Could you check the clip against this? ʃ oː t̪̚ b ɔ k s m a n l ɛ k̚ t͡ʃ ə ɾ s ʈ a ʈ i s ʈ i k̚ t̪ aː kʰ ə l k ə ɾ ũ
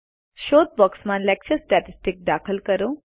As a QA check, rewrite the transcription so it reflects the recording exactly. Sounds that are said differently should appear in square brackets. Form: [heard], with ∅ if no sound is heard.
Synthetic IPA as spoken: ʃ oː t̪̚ b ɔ k s m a n l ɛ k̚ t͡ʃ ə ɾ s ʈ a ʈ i s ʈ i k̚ [d̪] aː kʰ ə l k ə ɾ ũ